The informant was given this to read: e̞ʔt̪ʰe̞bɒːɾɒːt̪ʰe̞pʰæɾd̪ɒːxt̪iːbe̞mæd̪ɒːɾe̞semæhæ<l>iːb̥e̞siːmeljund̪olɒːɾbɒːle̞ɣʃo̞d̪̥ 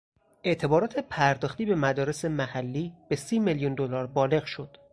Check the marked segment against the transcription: incorrect: lː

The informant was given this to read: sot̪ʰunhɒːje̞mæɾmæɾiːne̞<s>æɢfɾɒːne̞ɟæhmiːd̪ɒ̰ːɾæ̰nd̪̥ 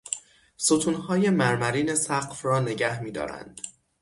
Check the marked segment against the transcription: correct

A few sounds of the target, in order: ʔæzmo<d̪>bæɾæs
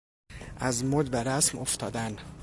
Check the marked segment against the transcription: correct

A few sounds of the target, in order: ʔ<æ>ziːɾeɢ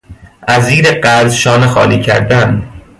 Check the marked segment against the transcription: correct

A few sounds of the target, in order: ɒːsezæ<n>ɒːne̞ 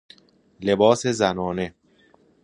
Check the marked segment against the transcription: correct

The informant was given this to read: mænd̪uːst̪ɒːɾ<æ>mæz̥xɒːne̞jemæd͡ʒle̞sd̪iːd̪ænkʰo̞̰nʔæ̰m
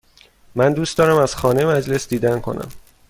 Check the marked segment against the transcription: correct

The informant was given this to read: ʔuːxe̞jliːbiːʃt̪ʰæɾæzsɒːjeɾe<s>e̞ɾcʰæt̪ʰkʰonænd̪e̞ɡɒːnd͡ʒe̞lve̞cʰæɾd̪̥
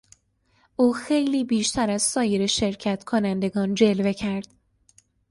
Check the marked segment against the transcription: incorrect: ʃ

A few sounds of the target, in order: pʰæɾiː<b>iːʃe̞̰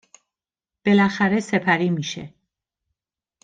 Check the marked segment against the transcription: incorrect: m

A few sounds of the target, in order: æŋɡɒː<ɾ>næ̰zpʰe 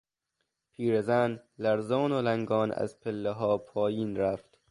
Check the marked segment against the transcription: incorrect: none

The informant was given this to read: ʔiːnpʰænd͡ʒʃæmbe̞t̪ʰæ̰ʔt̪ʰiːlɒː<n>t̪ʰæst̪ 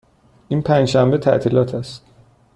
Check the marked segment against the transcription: incorrect: none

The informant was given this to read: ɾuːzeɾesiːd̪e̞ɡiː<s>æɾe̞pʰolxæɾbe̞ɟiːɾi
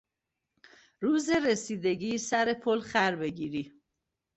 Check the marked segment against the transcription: correct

